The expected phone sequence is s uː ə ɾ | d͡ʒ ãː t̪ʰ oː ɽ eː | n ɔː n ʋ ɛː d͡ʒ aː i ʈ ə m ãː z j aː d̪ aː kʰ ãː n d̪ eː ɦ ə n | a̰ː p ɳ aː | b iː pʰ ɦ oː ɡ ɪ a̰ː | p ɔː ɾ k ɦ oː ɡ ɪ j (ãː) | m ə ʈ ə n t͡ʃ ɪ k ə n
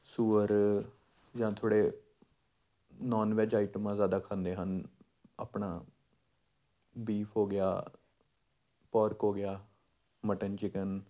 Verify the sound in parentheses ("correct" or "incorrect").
incorrect